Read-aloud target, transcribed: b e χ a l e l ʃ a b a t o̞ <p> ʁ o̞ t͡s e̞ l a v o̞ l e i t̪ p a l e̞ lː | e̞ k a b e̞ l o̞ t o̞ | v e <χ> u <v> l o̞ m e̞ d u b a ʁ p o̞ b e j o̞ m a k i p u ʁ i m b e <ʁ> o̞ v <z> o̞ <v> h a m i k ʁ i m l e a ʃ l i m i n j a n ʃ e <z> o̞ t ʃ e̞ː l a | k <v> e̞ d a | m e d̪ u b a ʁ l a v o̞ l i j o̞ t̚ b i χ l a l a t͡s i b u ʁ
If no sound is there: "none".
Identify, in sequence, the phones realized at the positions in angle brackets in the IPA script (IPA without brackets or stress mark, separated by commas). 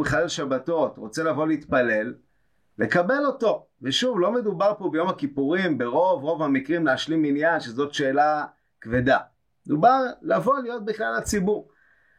t, ʃ, v, ʁ, ʁ, v, z, v